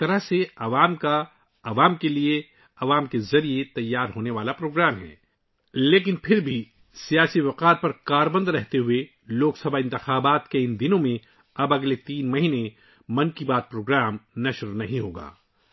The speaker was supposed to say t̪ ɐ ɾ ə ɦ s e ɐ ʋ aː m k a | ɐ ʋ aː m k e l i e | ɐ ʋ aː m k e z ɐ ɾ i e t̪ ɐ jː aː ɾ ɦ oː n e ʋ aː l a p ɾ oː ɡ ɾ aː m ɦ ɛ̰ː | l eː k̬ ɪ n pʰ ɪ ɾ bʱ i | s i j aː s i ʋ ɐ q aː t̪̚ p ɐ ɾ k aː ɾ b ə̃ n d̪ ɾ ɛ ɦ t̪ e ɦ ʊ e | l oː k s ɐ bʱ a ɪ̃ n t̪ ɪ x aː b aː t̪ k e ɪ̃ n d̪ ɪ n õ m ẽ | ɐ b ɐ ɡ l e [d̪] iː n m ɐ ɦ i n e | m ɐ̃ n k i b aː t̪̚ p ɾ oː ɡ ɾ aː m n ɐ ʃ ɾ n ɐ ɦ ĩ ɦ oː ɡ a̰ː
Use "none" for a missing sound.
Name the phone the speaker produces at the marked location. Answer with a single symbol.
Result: t̪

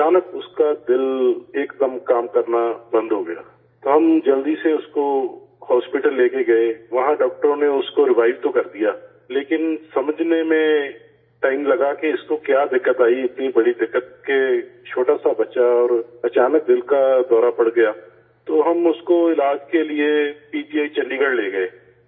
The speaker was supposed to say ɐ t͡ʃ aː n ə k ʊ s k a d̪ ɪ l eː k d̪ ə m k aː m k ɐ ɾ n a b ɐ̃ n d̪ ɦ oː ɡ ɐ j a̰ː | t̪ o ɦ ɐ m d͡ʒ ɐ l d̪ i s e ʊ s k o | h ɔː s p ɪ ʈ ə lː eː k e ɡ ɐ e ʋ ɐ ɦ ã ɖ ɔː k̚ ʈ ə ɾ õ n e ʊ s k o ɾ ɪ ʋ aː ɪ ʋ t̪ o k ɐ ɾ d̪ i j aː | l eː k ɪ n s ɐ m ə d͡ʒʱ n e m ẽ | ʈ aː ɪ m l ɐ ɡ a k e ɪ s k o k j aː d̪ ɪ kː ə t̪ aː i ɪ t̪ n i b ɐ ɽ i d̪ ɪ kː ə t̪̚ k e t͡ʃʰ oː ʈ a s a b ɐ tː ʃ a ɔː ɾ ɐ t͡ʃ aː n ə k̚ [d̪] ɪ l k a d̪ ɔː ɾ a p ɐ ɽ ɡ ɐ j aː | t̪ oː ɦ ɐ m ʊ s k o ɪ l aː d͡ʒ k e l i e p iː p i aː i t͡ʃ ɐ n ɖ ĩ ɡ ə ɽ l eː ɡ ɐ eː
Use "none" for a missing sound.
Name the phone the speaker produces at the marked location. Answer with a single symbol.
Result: d̪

